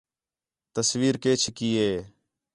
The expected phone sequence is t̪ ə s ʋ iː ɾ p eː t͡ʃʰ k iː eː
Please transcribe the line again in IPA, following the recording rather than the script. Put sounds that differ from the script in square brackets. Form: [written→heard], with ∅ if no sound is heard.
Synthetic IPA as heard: t̪ ə s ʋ iː ɾ [p→k] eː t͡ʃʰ k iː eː